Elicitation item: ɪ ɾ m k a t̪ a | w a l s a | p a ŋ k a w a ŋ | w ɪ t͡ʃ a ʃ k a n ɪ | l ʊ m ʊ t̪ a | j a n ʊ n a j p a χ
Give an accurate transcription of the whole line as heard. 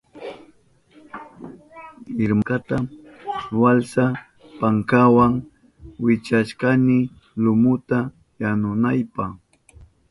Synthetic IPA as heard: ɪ ɾ m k a t̪ a | w a l s a | p a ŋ k a w a ŋ | w ɪ t͡ʃ a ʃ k a n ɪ | l ʊ m ʊ t̪ a | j a n ʊ n a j p a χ